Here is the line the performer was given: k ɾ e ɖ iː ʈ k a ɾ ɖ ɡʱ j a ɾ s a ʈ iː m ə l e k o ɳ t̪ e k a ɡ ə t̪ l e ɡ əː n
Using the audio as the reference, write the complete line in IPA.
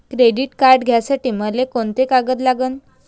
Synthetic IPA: k ɾ e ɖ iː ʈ k a ɾ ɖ ɡʱ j a s a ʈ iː m ə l e k o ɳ t̪ e k a ɡ ə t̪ l a ɡ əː n